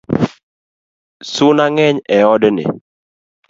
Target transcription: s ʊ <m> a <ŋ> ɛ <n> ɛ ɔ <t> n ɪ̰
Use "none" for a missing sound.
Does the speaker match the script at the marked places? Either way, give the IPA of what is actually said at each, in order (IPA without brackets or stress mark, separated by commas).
n, ŋ, ɲ, d